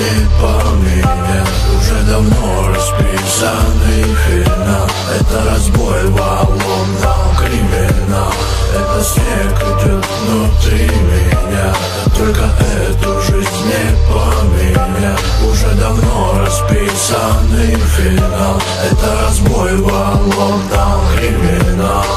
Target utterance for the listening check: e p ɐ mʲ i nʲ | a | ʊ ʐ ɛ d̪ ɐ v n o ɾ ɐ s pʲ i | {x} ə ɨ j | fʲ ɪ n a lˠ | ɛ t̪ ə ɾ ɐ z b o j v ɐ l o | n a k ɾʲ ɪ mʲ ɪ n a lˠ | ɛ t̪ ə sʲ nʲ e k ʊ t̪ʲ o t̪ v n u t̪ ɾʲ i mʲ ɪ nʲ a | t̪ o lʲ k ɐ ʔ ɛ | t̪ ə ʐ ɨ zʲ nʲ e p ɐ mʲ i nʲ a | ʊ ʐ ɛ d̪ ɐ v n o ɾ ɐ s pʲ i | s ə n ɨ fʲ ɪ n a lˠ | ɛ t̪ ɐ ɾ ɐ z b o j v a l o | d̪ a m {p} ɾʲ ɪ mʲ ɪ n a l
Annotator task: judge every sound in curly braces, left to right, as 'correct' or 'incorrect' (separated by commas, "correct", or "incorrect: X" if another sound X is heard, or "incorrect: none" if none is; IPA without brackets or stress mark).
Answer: incorrect: s, incorrect: k